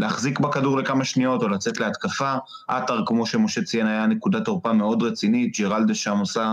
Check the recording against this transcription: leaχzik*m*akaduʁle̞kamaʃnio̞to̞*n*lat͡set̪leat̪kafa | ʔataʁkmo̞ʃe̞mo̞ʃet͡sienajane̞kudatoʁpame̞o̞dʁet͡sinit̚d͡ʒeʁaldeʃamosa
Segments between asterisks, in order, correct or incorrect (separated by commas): incorrect, incorrect